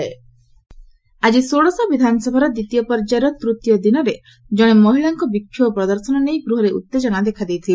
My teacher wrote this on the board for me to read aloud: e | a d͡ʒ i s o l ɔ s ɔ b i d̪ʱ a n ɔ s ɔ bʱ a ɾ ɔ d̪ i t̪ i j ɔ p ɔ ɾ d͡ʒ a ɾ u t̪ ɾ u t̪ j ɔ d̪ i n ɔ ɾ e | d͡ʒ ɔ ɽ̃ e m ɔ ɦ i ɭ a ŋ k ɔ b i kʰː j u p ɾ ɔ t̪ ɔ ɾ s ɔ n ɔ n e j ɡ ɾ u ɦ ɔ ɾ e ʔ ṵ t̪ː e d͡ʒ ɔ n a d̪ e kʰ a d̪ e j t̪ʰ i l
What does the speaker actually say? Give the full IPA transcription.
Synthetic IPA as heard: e | a d͡ʒ i s o ɽ ɔ s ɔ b i d̪ʱ a n ɔ s ɔ bʱ a ɾ ɔ d̪ i t̪ i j ɔ p ɔ ɾ d͡ʒ a ɾ ɔ t̪ ɾ u t̪ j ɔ d̪ i n ɔ ɾ e | d͡ʒ ɔ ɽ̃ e m ɔ ɦ i ɭ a ŋ k ɔ b i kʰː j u p ɾ ɔ d̪ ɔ ɾ s ɔ n ɔ n e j ɡ ɾ u ɦ ɔ ɾ e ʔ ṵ t̪ː e d͡ʒ ɔ n a d̪ e kʰ a d̪ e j t̪ʰ i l